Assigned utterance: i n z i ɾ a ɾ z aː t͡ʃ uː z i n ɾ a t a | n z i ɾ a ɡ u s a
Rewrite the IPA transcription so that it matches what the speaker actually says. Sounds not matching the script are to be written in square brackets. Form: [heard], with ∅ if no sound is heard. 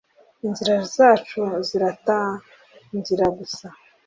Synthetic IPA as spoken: i n z i ɾ a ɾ z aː t͡ʃ [u] z i [∅] ɾ a t a | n z i ɾ a ɡ u s a